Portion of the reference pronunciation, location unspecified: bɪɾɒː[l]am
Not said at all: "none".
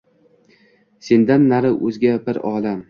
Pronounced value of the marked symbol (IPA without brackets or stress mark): l